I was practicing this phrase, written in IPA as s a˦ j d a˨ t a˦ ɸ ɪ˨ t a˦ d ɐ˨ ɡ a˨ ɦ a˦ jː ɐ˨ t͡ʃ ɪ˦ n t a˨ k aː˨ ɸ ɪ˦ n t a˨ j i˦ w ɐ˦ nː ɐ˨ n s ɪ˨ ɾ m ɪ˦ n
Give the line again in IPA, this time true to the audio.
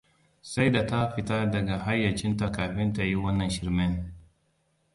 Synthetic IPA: s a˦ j d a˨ t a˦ ɸ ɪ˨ t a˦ d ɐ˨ ɡ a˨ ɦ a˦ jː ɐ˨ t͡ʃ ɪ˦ n t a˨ k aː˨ ɸ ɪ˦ n t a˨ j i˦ w ɐ˦ nː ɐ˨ n ʃ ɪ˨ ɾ m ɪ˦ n